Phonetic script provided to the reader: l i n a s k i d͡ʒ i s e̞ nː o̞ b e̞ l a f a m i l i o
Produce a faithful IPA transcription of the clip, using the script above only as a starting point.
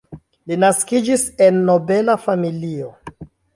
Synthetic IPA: l i n a s k i d͡ʒ i s e̞ nː o̞ b e̞ l a f a m i l i o